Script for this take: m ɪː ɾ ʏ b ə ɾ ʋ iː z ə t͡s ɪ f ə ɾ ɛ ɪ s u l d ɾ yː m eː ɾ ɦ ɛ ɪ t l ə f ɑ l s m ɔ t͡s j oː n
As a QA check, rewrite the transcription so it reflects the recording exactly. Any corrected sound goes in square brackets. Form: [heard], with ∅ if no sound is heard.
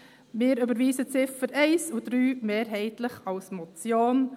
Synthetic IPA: m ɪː ɾ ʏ b ə ɾ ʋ iː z ə t͡s ɪ f ə ɾ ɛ ɪ s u [∅] d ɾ yː m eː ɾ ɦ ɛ ɪ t l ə [χ] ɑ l s m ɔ t͡s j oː n